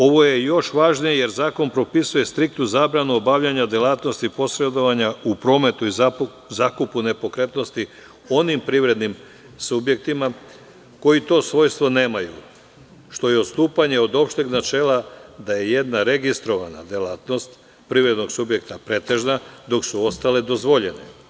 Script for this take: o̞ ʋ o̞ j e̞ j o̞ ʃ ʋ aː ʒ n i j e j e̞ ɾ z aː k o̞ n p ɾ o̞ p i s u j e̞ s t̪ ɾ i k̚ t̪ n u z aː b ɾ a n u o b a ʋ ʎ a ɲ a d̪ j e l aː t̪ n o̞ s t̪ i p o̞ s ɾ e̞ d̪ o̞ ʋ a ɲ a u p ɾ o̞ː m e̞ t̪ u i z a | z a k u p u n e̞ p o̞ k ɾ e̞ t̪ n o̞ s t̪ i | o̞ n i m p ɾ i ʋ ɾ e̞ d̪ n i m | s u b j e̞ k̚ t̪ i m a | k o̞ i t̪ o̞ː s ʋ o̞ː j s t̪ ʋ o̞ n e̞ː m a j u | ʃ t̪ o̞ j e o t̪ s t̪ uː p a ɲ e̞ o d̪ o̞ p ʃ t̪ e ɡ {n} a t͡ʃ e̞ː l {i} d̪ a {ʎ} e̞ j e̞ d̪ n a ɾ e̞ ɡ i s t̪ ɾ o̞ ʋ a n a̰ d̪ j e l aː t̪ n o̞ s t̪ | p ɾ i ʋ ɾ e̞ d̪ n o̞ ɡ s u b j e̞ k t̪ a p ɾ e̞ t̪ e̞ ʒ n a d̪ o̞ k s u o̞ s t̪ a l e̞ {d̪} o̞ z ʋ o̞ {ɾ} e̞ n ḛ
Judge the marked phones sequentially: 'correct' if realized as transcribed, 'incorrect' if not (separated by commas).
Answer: correct, incorrect, incorrect, correct, incorrect